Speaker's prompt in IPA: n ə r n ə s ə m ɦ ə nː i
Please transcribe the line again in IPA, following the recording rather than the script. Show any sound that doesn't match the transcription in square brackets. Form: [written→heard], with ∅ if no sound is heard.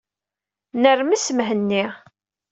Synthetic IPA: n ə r [n→m] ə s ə m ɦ ə nː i